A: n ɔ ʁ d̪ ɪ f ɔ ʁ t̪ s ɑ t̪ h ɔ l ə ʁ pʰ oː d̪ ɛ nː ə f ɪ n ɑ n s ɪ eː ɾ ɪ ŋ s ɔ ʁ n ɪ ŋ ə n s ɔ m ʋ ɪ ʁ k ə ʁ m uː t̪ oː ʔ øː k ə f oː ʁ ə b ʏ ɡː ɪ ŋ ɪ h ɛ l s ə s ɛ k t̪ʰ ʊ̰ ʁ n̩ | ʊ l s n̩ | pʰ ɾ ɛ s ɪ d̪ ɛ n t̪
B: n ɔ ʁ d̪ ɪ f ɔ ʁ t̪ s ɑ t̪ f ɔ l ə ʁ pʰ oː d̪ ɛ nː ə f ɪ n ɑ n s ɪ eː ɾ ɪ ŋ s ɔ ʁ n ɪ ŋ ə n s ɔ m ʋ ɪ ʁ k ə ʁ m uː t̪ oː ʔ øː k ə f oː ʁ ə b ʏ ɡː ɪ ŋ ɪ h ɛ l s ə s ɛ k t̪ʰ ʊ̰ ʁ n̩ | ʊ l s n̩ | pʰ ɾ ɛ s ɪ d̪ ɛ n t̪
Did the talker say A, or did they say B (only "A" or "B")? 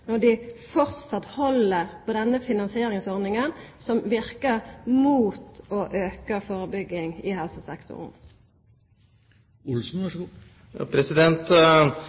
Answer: A